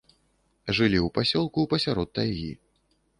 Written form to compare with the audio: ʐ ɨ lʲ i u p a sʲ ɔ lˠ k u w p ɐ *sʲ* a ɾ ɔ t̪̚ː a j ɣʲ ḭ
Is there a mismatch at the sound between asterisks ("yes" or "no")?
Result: no